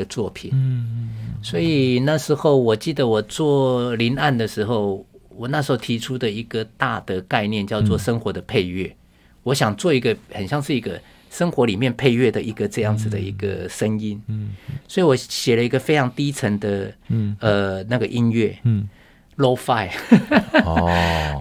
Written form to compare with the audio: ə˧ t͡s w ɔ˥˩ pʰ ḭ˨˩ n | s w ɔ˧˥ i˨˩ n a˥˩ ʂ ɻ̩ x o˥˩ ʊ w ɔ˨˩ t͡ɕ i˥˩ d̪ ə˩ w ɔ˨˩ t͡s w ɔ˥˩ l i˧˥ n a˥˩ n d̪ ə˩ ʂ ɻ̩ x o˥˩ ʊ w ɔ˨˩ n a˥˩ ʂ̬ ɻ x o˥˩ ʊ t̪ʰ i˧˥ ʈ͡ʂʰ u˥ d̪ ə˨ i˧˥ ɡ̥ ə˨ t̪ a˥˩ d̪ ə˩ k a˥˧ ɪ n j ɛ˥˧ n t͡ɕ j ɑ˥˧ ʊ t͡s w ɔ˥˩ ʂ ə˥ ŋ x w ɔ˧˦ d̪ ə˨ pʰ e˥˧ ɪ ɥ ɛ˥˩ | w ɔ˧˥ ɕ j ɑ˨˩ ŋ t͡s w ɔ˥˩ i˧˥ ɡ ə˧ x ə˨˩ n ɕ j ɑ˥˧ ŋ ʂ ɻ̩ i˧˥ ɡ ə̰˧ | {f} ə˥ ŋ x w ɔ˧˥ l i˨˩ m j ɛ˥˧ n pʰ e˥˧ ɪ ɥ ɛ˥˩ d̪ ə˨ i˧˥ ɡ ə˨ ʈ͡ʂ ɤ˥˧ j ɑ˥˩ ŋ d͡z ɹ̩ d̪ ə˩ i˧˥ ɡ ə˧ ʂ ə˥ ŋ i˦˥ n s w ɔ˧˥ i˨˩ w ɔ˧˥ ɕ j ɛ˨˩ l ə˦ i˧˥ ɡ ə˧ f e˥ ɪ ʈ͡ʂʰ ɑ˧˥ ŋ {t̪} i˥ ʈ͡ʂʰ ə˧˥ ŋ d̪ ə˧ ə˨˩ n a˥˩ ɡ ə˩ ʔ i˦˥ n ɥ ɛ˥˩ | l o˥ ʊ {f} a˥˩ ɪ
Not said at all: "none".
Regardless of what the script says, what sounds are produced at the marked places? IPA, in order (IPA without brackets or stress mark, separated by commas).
ʂ, t̪, f